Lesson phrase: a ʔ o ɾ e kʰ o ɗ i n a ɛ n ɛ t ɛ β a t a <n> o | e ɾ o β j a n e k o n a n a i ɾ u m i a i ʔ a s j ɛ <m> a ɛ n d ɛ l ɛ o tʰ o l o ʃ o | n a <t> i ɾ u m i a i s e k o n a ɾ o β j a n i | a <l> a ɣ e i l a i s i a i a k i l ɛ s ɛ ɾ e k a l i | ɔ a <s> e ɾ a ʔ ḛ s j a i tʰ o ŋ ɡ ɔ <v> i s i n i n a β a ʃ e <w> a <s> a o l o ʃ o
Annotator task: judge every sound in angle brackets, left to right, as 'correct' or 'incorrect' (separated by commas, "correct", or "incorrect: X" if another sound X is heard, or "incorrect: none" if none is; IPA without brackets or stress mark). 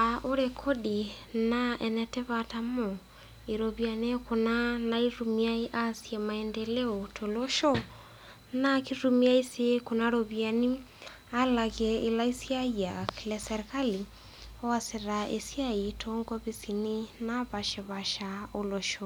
incorrect: m, correct, incorrect: k, correct, correct, incorrect: β, incorrect: β, incorrect: ʃ